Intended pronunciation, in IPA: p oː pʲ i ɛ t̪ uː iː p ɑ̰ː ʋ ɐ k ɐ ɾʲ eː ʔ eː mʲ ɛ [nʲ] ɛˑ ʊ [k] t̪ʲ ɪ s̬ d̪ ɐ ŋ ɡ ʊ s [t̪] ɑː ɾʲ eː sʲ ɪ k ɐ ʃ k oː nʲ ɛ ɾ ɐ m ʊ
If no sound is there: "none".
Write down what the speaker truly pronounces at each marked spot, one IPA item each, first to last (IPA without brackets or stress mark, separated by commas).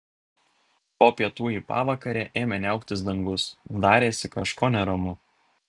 nʲ, k, d̪